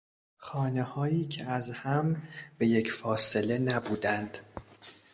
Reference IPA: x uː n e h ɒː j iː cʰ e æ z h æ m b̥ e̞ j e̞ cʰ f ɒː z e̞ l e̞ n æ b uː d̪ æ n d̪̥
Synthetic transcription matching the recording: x ɒː n e h ɒː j iː cʰ e æ z h æ m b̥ e̞ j e̞ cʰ f ɒː s e̞ l e̞ n æ b uː d̪ æ n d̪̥